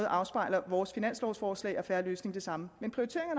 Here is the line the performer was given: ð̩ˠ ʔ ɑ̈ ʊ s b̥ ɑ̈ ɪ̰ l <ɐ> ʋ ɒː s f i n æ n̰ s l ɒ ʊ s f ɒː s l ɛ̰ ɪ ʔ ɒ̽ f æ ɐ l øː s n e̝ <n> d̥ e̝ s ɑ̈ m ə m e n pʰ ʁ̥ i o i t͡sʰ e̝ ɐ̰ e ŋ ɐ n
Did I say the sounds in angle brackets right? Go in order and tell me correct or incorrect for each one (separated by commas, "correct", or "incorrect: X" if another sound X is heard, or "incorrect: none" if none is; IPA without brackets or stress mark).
correct, incorrect: ŋ